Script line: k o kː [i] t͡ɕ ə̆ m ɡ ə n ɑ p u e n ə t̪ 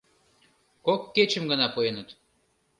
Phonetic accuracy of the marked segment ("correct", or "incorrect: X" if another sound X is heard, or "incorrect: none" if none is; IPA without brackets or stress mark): incorrect: e